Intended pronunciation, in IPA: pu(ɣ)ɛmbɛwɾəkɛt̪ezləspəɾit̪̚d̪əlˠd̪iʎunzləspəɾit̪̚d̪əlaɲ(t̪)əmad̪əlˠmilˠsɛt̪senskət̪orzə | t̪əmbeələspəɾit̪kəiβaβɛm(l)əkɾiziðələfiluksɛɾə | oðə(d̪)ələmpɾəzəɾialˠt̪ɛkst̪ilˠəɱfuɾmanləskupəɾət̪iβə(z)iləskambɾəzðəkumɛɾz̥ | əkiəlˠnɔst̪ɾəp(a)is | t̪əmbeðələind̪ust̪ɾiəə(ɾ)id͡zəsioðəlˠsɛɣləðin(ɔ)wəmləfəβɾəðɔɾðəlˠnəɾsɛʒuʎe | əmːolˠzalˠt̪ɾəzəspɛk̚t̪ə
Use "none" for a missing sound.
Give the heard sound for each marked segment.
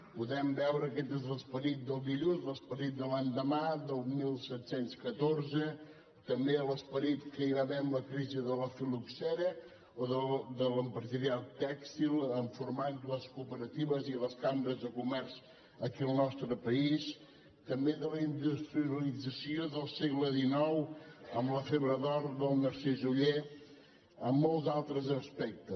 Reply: ð, d̪, l, d̪, z, ə, l, ɔ

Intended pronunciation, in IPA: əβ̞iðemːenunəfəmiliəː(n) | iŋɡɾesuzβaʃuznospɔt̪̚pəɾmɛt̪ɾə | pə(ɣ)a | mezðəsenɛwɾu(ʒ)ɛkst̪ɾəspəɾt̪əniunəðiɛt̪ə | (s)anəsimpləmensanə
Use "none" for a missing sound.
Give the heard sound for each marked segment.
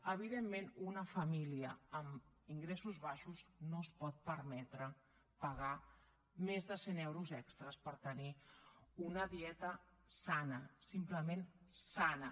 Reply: m, ɣ, z, s

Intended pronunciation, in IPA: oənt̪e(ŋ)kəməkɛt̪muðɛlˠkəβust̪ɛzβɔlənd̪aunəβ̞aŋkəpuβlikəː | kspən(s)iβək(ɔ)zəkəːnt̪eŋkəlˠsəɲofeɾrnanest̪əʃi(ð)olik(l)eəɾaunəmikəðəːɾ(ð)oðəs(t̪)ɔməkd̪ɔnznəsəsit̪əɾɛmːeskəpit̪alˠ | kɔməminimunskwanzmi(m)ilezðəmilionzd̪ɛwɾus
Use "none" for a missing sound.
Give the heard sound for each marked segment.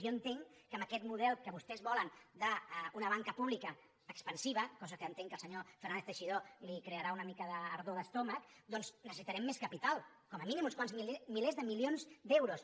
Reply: ŋ, s, ɔ, ð, ɾ, ð, t̪, m

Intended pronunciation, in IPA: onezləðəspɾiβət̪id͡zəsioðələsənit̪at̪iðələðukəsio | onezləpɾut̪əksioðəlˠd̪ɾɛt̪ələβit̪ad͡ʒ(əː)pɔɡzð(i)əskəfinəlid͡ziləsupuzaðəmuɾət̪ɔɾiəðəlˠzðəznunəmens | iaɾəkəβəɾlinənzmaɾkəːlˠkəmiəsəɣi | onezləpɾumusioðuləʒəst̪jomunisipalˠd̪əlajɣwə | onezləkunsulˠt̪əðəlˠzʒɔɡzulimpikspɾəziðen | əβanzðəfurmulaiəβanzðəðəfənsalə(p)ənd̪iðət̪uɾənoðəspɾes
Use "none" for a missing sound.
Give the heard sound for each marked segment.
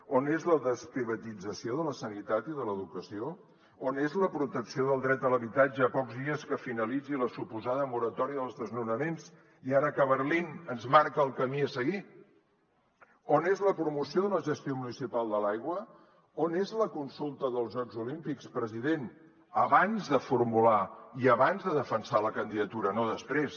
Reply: əː, i, k

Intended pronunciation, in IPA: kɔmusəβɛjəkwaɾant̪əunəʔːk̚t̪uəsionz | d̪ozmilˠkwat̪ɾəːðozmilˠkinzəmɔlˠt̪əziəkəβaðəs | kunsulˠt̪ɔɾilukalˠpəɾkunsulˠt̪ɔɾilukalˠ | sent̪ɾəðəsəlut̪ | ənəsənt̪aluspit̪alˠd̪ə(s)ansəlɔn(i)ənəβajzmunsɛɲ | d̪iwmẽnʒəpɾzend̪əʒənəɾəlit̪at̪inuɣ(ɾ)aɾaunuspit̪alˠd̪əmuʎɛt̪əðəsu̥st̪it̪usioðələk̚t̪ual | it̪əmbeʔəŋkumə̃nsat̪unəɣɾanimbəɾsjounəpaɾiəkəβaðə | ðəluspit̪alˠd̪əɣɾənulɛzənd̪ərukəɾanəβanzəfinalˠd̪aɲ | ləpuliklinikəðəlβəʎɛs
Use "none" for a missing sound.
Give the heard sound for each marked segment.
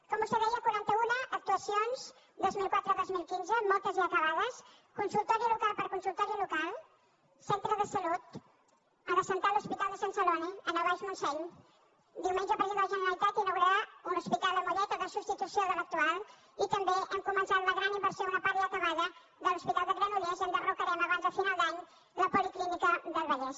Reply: s, i, ɾ

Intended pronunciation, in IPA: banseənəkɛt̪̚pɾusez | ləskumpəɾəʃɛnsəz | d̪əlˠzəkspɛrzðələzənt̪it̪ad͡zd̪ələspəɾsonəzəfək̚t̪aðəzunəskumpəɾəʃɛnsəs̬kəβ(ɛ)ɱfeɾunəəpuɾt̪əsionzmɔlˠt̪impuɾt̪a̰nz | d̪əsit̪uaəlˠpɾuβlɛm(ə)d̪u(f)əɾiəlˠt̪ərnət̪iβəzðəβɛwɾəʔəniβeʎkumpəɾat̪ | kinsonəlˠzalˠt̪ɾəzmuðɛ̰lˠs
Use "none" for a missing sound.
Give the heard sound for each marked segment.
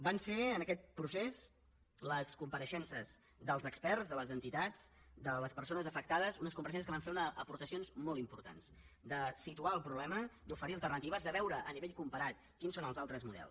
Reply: a, ə, f

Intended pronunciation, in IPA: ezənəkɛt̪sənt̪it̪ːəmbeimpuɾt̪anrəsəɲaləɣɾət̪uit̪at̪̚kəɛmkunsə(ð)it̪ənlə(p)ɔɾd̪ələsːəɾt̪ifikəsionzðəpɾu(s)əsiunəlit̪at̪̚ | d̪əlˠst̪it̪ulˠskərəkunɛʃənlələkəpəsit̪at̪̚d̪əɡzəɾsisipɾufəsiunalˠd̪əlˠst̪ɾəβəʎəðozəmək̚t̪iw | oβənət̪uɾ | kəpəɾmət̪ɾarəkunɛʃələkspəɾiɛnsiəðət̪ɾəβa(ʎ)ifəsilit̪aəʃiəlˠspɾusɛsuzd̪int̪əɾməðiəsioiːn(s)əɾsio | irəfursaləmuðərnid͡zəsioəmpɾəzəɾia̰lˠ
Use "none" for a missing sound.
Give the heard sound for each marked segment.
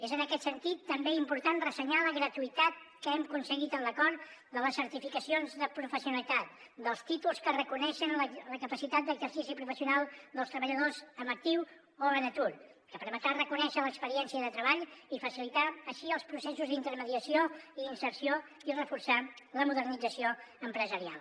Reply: ɣ, k, f, ʎ, s

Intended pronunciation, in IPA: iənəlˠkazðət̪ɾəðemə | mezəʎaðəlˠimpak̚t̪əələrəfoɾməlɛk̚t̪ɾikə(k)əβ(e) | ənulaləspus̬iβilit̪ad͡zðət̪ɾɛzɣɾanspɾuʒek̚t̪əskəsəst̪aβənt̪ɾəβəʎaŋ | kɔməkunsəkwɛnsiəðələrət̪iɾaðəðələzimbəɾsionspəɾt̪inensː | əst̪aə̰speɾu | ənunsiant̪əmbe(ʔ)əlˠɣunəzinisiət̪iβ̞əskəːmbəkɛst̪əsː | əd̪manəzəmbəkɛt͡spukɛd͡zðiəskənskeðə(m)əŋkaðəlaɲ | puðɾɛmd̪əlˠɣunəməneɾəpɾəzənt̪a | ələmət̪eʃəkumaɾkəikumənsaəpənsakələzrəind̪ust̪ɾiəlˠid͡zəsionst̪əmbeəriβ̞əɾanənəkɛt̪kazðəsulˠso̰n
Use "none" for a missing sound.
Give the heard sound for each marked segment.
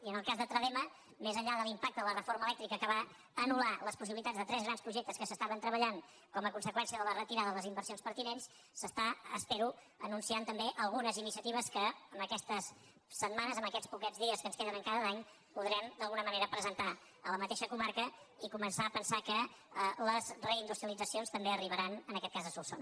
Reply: k, a, ʔ, n

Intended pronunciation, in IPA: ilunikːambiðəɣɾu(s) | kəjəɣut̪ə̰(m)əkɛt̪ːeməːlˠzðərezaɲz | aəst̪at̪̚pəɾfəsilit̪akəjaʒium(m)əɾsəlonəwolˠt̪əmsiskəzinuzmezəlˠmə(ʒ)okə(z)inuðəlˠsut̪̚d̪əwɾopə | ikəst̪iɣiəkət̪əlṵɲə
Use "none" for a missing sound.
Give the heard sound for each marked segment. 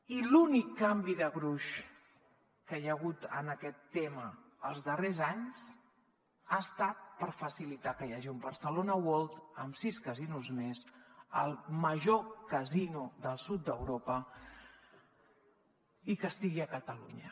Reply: ʃ, n, b, ʒ, z

